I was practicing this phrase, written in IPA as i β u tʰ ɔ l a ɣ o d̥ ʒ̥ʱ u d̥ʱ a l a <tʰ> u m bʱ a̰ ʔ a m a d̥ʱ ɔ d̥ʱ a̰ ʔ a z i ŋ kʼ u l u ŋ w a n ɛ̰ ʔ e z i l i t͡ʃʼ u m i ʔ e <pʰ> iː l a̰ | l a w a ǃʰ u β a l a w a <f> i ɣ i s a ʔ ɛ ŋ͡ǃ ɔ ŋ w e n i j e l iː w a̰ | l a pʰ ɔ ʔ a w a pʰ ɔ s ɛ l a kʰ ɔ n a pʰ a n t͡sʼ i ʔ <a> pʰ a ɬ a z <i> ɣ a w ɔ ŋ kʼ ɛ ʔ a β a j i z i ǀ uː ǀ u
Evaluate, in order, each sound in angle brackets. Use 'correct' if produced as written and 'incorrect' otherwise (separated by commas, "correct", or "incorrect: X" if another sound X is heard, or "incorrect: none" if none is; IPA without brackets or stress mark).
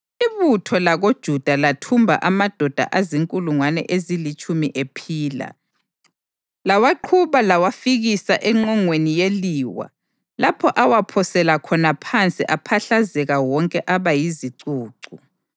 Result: correct, correct, correct, correct, incorrect: ɛ